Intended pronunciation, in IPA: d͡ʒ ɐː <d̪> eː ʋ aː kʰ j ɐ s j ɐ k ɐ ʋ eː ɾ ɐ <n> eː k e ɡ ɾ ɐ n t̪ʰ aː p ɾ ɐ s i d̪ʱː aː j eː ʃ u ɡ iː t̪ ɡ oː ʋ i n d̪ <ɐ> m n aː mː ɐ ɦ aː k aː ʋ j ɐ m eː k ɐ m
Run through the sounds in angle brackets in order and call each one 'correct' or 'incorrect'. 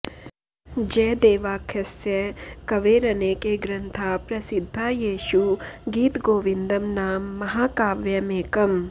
correct, correct, correct

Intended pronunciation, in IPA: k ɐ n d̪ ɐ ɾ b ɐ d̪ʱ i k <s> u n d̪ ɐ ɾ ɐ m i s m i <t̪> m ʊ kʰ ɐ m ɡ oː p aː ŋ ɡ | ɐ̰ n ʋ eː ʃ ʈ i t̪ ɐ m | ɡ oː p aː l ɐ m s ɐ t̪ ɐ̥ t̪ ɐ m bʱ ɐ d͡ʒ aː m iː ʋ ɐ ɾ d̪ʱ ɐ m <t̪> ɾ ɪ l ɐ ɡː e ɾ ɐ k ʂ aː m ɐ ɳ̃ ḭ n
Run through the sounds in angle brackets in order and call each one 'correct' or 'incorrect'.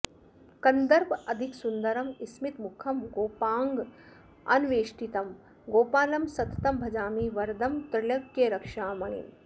correct, correct, correct

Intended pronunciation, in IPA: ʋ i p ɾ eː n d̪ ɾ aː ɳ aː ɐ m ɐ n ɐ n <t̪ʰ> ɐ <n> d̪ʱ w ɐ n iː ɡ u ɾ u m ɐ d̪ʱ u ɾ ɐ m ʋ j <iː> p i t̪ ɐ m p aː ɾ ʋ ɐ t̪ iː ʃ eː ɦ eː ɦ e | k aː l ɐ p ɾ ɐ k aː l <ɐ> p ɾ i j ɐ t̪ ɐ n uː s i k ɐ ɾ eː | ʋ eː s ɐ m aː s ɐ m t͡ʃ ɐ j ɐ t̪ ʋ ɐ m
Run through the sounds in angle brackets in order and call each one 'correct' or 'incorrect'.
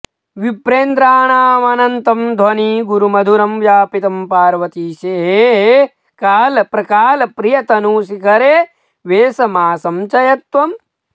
incorrect: t̪, incorrect: m, incorrect: aː, correct

